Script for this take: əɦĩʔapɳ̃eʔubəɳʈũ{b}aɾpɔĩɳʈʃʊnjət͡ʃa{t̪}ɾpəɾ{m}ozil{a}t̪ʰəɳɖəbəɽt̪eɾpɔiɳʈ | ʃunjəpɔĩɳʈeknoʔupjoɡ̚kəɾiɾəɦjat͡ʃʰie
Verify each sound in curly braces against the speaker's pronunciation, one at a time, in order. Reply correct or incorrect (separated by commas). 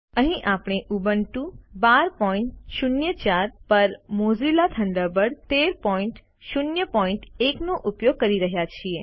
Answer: correct, incorrect, correct, correct